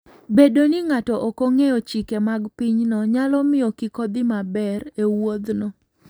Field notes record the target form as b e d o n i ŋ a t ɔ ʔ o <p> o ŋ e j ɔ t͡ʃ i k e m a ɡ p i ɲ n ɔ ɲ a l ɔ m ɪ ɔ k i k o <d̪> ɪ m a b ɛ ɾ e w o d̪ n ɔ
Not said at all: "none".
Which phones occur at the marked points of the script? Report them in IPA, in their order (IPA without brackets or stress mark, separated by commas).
k, d̪